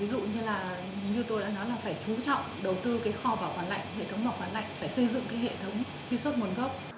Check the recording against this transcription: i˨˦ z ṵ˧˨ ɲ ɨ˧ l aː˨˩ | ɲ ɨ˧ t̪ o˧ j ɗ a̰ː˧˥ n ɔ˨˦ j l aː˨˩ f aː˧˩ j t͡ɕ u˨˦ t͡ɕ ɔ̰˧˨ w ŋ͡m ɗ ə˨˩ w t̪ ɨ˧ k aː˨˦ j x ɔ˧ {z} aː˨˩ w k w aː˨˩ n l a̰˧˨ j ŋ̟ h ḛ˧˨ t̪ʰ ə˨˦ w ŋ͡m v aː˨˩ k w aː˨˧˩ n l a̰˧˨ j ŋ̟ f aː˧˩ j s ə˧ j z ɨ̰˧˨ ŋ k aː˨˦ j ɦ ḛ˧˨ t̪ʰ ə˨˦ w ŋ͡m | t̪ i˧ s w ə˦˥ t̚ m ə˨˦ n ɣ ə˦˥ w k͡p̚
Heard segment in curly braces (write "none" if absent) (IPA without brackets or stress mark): v